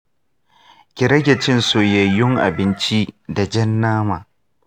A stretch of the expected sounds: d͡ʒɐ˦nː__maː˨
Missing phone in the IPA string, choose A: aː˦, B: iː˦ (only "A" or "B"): A